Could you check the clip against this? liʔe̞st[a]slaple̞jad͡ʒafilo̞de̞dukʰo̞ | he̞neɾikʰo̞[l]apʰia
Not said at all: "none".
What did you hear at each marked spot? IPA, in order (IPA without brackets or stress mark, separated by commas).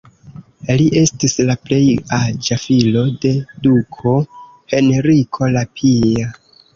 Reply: i, l